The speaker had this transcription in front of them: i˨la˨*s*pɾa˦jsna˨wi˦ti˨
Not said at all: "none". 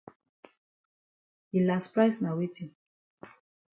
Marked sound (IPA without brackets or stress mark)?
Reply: s